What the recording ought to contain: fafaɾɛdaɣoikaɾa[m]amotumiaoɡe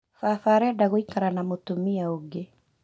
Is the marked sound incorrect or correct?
incorrect: n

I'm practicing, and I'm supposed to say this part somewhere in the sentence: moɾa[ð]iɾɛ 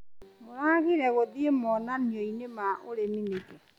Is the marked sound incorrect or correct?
incorrect: ɣ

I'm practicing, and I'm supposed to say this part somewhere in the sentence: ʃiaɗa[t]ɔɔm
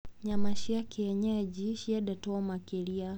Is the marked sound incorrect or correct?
correct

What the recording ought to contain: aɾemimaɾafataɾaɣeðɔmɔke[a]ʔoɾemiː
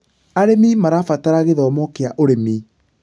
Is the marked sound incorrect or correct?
correct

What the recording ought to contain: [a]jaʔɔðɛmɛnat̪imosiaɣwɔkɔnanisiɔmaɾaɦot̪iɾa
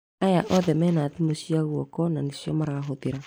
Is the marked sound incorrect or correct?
correct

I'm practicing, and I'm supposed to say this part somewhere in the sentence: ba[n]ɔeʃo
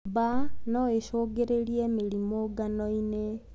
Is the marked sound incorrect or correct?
correct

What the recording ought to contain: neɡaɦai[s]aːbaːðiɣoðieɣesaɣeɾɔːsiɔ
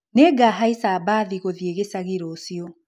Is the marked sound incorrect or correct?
correct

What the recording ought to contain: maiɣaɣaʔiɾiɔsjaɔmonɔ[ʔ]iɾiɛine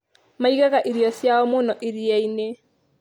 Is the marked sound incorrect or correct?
correct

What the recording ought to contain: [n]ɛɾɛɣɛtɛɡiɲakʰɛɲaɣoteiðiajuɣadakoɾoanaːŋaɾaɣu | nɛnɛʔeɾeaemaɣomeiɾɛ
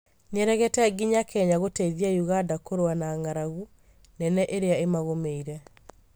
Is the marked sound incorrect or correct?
correct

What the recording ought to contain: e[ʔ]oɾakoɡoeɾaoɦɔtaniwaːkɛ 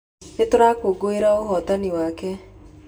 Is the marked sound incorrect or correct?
incorrect: t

